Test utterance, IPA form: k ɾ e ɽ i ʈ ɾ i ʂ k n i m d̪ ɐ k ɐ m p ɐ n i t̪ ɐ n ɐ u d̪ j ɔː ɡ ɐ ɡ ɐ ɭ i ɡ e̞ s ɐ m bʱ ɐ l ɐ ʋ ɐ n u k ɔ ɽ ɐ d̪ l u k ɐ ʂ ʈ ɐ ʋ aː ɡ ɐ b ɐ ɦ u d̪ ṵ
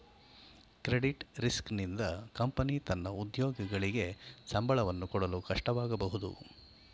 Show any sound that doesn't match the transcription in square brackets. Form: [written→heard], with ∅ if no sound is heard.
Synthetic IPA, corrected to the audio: k ɾ e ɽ i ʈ ɾ i [ʂ→s] k n i [m→n] d̪ ɐ k ɐ m p ɐ n i t̪ ɐ [n→nː] ɐ u d̪ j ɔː ɡ ɐ ɡ ɐ ɭ i ɡ e̞ s ɐ m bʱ ɐ [l→ɭ] ɐ ʋ ɐ [n→nː] u k ɔ ɽ ɐ [d̪→∅] l u k ɐ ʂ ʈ ɐ ʋ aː ɡ ɐ b ɐ ɦ u d̪ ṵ